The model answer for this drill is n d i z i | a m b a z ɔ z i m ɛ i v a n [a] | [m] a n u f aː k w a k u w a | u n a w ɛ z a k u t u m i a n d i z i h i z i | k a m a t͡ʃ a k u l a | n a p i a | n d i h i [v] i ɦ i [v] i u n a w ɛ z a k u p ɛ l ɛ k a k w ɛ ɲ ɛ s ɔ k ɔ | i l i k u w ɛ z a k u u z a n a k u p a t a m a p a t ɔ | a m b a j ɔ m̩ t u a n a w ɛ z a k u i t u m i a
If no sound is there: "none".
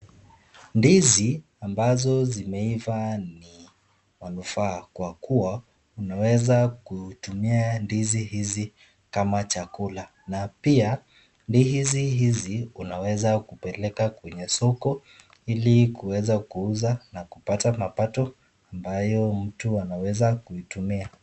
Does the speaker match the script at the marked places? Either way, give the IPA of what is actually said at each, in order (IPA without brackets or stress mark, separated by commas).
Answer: i, m, z, z